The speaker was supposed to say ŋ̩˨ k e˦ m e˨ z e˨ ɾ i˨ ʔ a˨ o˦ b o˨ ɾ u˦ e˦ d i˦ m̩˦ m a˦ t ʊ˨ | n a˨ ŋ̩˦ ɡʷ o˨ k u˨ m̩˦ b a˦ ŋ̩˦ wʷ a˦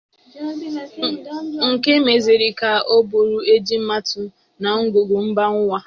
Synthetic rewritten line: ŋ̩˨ k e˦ m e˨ z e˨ ɾ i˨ k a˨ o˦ b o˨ ɾ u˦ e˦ d͡ʒ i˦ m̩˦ m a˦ t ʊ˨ | n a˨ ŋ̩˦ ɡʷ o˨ ɡ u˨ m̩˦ b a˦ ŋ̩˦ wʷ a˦